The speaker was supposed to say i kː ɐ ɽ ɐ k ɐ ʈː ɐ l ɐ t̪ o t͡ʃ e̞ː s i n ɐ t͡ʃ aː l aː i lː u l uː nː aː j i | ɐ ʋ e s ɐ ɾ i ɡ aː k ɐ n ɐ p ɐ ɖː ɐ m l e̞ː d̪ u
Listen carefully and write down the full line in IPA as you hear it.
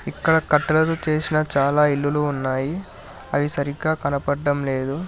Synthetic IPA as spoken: i kː ɐ ɽ ɐ k ɐ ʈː ɐ l ɐ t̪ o t͡ʃ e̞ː s i n ɐ t͡ʃ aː l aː i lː u l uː nː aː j i | ɐ ʋ i s ɐ ɾ i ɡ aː k ɐ n ɐ p ɐ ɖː ɐ m l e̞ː d̪ u